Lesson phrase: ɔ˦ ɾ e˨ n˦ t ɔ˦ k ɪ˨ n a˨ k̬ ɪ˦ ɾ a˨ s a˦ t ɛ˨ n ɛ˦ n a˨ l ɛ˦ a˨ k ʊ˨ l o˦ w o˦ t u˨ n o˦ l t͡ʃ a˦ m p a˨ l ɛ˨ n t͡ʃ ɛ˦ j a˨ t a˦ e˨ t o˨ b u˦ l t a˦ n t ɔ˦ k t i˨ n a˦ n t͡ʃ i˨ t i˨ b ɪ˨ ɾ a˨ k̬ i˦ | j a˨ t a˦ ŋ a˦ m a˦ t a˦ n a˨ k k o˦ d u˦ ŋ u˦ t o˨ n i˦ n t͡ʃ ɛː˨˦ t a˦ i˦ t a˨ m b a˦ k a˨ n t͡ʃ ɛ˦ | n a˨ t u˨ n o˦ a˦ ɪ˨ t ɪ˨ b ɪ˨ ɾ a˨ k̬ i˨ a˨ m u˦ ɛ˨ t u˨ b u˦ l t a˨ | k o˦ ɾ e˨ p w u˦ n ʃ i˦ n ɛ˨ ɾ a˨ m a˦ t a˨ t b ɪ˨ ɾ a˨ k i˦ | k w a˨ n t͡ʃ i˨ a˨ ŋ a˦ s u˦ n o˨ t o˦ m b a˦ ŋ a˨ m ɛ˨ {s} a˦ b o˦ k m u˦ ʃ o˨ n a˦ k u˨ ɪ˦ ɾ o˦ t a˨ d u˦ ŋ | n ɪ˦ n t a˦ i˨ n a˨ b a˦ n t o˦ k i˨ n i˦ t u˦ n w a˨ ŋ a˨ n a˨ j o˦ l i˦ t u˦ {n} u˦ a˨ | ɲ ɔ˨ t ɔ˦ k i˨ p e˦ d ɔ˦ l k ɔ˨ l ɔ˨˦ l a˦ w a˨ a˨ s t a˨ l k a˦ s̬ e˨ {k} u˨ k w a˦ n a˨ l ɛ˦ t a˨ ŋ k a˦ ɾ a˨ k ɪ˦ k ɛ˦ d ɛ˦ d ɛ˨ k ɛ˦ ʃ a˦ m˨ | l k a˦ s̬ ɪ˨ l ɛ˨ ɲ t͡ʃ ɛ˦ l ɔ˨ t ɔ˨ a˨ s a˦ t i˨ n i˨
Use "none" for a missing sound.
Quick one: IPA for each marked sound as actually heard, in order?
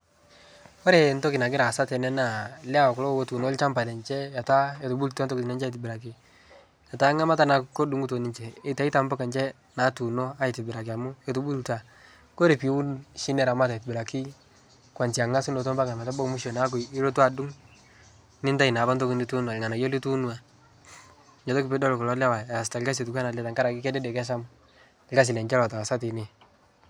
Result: t, n, t

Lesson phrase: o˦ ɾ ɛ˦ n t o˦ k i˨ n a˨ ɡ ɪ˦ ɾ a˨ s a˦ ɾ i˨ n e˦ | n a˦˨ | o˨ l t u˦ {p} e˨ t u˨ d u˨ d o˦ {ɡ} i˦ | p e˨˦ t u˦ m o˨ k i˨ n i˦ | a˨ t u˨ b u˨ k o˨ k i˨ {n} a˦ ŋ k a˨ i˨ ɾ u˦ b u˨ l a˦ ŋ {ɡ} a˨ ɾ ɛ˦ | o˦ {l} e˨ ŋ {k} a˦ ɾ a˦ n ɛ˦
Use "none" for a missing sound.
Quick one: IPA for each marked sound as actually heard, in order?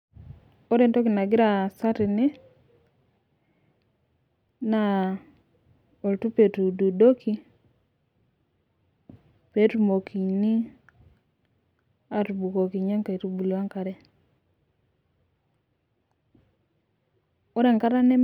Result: p, k, ɲ, k, ɾ, k

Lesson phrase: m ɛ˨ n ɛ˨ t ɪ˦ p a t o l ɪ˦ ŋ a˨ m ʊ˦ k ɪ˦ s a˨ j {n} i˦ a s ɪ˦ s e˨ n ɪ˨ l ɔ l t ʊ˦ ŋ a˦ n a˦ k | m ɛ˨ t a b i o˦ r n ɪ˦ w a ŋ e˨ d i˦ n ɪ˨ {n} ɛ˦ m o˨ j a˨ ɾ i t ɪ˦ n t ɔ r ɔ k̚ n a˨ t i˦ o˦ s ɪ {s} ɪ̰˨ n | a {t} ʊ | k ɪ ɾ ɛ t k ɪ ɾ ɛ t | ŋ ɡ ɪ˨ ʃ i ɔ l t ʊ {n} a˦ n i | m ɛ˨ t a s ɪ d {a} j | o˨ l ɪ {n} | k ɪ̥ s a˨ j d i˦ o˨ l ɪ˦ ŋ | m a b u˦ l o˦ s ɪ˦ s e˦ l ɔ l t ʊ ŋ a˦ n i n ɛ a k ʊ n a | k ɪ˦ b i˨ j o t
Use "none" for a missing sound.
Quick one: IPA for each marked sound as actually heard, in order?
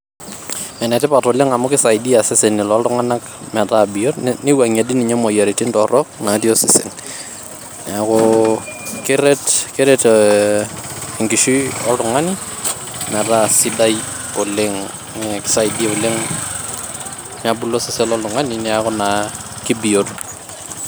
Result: d, ɲ, s, k, ŋ, a, ŋ

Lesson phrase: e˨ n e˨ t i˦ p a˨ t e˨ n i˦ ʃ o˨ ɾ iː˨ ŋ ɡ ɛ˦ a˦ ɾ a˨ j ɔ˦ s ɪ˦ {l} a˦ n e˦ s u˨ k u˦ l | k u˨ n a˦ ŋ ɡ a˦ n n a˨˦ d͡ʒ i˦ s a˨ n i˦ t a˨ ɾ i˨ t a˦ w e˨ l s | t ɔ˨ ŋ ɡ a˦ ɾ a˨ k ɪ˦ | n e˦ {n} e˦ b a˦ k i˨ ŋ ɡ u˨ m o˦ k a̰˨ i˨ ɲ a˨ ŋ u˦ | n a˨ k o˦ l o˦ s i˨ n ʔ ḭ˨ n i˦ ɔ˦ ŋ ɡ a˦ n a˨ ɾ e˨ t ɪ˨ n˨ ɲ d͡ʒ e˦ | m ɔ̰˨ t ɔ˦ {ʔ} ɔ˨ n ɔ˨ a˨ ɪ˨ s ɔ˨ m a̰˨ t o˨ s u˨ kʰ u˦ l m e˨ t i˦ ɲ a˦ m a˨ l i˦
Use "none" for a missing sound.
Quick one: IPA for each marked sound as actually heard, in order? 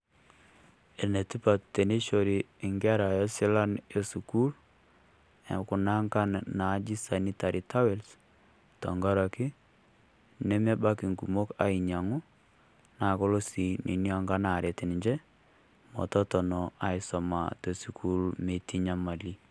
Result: l, m, t

